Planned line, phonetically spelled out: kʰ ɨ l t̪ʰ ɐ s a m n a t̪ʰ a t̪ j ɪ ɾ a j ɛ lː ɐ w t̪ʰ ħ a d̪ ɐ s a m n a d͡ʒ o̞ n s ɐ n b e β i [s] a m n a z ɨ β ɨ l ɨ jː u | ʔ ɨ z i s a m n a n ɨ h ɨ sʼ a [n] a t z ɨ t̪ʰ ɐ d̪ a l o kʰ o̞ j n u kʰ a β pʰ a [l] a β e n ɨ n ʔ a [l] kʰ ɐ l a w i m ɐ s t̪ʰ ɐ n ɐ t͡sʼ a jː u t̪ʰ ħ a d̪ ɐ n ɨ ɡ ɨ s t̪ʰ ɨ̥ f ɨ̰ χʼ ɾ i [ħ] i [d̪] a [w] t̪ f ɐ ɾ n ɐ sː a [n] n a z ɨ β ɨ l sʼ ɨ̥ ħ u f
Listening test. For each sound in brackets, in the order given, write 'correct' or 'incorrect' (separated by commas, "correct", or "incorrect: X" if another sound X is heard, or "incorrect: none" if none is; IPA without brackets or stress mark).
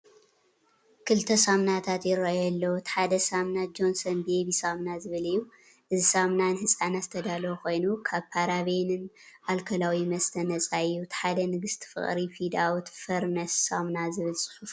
correct, correct, incorrect: ɾ, correct, incorrect: f, correct, correct, incorrect: m